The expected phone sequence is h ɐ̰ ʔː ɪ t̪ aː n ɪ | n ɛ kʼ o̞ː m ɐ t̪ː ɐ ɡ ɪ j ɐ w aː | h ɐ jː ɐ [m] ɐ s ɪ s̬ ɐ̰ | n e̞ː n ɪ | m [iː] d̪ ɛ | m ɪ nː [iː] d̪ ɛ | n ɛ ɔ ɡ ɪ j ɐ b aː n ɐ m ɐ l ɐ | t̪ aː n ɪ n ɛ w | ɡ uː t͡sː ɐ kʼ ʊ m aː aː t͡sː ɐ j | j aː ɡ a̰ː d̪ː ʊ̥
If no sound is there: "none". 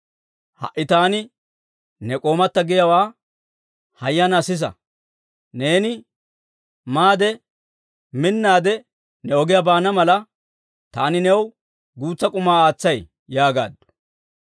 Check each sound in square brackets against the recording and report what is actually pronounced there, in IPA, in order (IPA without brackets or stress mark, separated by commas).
n, aː, aː